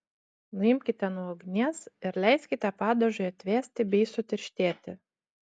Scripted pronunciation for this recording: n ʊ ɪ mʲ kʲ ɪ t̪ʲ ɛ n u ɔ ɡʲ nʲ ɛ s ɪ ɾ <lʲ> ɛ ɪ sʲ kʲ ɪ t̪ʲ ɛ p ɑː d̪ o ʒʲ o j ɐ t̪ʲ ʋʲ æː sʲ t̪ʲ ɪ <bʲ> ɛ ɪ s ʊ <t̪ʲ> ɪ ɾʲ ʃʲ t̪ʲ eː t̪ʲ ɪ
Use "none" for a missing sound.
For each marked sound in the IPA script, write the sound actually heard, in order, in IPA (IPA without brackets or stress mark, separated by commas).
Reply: lʲ, bʲ, t̪ʲ